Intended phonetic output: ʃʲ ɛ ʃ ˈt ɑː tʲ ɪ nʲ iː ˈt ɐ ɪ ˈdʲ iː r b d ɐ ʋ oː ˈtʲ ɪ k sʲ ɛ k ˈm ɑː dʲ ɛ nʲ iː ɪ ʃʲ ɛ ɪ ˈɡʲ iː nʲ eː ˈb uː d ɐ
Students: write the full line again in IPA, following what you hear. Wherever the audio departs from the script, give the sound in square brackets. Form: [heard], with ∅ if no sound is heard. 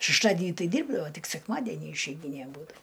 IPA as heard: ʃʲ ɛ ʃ ˈt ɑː [dʲ] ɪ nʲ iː ˈt ɐ ɪ ˈdʲ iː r b d ɐ ʋ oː ˈtʲ ɪ k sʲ ɛ k ˈm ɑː dʲ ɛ nʲ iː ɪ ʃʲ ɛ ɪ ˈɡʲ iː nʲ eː ˈb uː d ɐ